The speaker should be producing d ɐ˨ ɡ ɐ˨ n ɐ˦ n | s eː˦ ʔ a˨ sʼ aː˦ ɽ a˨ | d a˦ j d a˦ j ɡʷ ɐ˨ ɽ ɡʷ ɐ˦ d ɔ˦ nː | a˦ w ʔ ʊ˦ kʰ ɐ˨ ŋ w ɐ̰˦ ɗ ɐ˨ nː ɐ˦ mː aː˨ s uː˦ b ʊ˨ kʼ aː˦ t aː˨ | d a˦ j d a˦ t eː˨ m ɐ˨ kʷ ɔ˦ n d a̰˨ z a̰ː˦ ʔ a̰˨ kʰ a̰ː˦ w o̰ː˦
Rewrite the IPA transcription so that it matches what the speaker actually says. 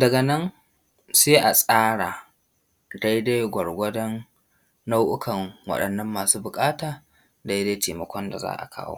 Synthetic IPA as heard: d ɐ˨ ɡ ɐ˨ n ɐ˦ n | s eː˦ ʔ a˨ sʼ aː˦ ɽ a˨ | d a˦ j d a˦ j ɡʷ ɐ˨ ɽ ɡʷ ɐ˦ d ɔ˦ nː | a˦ w ʔ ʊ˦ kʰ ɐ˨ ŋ w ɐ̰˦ ɗ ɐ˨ nː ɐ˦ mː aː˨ s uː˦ b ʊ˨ kʼ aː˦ t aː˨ | d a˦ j d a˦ t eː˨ m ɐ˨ kʷ ɔ˦ n d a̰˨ z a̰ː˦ ʔ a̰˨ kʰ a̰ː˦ w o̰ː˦